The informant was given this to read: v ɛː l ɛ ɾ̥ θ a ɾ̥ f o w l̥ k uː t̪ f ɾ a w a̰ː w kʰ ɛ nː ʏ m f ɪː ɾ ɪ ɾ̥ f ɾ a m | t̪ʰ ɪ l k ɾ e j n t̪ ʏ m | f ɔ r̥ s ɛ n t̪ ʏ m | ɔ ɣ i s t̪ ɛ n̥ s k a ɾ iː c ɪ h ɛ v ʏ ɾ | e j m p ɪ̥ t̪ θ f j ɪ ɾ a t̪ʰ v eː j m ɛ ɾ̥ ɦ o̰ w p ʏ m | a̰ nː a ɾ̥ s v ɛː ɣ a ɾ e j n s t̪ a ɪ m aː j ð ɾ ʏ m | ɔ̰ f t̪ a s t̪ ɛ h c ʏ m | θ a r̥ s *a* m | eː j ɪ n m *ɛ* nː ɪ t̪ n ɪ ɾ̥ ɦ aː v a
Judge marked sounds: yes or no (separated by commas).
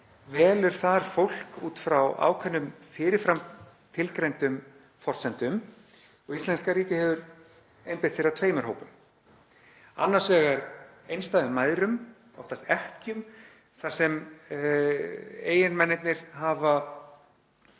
no, yes